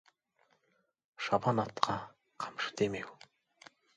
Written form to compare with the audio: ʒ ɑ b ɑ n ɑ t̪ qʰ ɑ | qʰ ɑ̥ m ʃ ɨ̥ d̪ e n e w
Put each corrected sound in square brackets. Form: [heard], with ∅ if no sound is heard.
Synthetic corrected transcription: [ʃ] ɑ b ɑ n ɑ t̪ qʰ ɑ | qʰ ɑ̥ m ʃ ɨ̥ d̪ e [m] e w